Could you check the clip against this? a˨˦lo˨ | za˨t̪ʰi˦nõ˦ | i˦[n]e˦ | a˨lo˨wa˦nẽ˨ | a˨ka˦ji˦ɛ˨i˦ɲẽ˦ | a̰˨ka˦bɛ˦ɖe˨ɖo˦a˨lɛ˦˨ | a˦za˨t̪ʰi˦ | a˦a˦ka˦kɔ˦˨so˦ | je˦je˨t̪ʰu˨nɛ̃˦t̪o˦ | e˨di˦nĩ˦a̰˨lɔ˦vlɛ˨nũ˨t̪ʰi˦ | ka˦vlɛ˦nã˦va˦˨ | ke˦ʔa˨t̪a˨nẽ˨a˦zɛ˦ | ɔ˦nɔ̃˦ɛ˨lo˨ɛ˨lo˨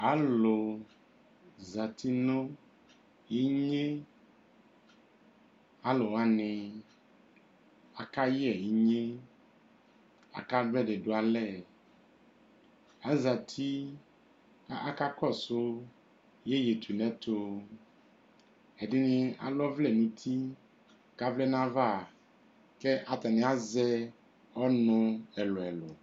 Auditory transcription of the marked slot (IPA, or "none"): ɲ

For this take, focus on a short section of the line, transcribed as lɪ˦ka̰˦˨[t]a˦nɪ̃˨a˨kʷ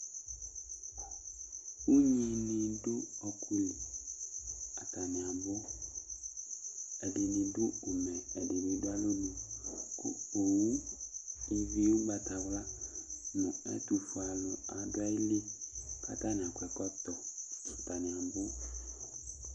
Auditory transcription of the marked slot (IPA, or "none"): t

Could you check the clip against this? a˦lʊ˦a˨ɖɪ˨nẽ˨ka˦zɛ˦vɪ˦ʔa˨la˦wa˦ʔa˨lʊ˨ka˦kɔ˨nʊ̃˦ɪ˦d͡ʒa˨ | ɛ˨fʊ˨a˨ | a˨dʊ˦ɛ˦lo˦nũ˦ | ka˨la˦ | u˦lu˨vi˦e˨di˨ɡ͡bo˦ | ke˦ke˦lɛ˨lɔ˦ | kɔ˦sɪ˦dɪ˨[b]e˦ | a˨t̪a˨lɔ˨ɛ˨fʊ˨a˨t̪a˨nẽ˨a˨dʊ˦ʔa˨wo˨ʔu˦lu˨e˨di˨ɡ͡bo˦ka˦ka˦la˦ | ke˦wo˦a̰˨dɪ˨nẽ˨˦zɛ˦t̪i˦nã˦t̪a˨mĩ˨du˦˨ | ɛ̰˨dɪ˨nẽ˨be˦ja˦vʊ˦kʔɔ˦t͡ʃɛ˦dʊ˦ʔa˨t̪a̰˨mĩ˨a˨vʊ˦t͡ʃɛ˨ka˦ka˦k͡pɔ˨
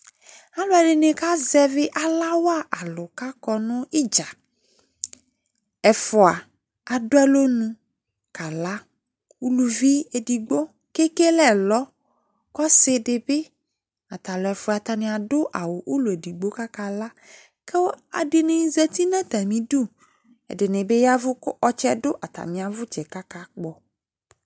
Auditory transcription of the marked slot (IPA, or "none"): b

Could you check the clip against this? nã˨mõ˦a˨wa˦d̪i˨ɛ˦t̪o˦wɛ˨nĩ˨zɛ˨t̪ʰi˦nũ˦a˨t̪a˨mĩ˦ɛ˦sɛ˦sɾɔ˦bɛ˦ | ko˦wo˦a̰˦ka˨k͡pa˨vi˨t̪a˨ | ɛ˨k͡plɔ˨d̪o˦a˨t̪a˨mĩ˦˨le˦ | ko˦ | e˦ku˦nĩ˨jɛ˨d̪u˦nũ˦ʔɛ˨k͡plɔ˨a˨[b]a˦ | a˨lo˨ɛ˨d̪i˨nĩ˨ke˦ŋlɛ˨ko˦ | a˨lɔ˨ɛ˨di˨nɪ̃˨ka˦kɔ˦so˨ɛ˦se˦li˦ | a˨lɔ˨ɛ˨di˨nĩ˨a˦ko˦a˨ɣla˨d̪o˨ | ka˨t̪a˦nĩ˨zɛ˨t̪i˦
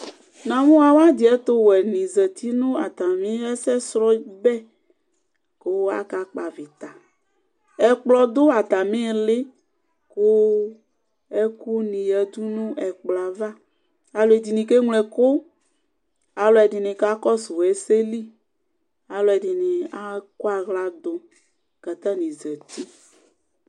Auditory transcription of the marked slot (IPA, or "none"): v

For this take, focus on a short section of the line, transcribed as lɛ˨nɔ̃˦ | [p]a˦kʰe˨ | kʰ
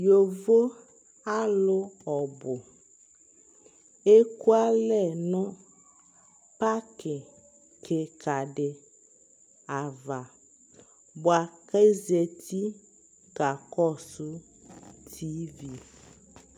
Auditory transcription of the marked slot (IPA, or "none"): p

